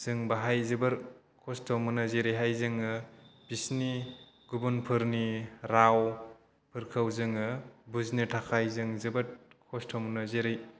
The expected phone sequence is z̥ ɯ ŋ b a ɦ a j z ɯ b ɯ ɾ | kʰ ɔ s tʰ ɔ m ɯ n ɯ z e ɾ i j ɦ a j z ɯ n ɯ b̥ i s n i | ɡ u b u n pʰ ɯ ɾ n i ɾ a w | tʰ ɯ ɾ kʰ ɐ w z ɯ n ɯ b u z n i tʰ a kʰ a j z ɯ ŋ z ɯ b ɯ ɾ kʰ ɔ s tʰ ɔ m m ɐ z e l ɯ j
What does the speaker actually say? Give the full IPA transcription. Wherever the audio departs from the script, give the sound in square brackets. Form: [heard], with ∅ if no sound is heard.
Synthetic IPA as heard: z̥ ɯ ŋ b a ɦ a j z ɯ b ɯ ɾ | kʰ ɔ s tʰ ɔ m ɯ n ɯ z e ɾ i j ɦ a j z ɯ [ŋ] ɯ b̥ i s n i | ɡ u b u n pʰ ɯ ɾ n i ɾ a w | [pʰ] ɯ ɾ kʰ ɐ w z ɯ [ŋ] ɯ b u z n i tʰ a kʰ a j z ɯ ŋ z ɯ b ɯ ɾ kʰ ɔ s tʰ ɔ m [n] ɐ z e [ɾ] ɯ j

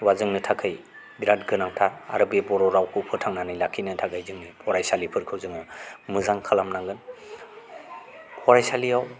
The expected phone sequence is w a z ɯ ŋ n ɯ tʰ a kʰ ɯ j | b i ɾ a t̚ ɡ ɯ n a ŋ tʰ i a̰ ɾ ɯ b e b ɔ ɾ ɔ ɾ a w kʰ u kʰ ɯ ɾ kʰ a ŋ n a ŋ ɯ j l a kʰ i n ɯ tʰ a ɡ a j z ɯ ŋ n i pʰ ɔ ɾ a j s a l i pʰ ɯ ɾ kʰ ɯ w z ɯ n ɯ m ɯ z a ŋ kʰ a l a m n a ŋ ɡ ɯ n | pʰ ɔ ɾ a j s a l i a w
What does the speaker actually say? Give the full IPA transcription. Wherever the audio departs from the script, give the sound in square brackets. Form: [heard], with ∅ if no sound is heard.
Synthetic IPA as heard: w a z ɯ ŋ n ɯ tʰ a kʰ ɯ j | b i ɾ a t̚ ɡ ɯ n a ŋ tʰ [a] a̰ ɾ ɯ b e b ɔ ɾ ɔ ɾ a w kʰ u [pʰ] ɯ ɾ [tʰ] a ŋ n a [n] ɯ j l a kʰ i n ɯ tʰ a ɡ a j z ɯ ŋ n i pʰ ɔ ɾ a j s a l i pʰ ɯ ɾ kʰ ɯ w z ɯ [ŋ] ɯ m ɯ z a ŋ kʰ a l a m n a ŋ ɡ ɯ n | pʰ ɔ ɾ a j s a l i a w

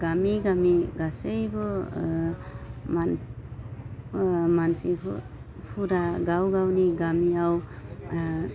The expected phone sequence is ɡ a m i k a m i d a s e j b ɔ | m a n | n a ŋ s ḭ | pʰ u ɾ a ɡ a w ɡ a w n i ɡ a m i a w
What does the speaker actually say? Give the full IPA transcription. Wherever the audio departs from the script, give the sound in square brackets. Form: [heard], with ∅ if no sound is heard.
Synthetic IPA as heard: ɡ a m i [ɡ] a m i [ɡ] a s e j b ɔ | m a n | [m] a [n] s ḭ | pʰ u ɾ a ɡ a w ɡ a w n i ɡ a m i a w

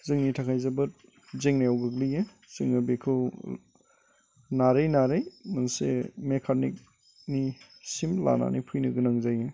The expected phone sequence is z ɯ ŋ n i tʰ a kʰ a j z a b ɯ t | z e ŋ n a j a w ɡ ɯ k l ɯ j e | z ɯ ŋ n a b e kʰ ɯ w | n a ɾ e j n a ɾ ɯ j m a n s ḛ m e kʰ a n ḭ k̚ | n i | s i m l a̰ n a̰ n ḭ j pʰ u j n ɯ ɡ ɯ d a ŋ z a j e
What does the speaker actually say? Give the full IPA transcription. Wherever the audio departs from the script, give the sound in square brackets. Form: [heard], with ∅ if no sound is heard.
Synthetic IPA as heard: z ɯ ŋ n i tʰ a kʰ a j z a b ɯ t | z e ŋ n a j a w ɡ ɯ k l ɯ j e | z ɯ ŋ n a b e kʰ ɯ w | n a ɾ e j n a ɾ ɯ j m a n s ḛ m e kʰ a n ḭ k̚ | n i | s i m l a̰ n a̰ n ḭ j pʰ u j n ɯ ɡ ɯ [n] a ŋ z a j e

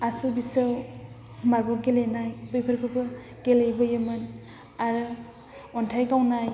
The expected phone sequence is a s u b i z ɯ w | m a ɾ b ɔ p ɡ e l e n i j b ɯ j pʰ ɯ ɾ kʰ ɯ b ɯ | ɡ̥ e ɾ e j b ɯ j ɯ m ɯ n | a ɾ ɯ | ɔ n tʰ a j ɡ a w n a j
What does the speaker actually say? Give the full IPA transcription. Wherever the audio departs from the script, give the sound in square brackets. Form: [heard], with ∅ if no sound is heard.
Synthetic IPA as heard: a s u b i [s] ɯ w | m a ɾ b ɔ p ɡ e l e n [a] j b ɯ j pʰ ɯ ɾ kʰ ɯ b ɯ | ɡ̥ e [l] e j b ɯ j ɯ m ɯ n | a ɾ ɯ | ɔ n tʰ a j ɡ a w n a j

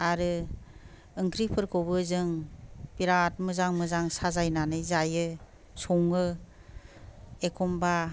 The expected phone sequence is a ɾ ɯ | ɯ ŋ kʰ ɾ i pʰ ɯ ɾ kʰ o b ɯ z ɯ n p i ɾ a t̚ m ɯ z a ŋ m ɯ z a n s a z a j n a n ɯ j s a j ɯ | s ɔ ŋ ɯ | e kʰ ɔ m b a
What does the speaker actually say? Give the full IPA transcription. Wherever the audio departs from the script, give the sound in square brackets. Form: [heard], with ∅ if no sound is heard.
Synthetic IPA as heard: a ɾ ɯ | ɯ ŋ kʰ ɾ i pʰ ɯ ɾ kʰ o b ɯ z ɯ [ŋ] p i ɾ a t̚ m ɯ z a ŋ m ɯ z a [ŋ] s a z a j n a n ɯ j [z] a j ɯ | s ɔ ŋ ɯ | e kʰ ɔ m b a

